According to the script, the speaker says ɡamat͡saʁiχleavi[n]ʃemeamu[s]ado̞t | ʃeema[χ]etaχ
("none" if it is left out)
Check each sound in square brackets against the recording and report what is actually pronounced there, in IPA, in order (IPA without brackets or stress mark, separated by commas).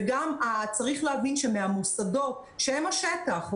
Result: n, s, ʃ